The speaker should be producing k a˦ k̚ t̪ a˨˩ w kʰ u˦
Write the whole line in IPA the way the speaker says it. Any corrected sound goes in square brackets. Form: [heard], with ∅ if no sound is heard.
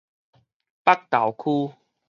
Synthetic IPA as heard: [p] a˦ k̚ t̪ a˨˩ w kʰ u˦

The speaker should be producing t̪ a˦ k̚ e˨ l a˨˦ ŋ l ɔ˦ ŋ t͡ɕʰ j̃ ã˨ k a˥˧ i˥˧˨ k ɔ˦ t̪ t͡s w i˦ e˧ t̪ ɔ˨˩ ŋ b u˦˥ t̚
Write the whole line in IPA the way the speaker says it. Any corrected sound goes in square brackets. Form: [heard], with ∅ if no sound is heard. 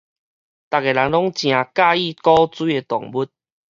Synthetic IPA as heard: t̪ [a˨] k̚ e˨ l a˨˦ ŋ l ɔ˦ ŋ [t͡ɕ] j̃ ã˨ k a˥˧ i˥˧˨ k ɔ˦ [∅] t͡s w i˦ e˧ t̪ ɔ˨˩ ŋ b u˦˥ t̚

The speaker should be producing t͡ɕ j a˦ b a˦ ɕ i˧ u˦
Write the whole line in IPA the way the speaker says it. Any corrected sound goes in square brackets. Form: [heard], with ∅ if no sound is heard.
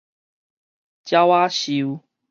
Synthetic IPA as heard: t͡ɕ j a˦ [w] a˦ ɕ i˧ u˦

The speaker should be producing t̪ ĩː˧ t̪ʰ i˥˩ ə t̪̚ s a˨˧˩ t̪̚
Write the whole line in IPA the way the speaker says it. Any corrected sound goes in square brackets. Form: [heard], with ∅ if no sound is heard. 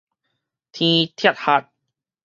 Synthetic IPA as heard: [t̪ʰ] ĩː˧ t̪ʰ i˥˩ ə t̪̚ [h] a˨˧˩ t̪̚

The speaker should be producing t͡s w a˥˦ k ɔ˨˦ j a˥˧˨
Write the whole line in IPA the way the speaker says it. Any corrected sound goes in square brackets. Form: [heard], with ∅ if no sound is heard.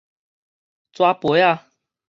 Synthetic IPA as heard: t͡s w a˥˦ [p] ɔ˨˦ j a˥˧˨

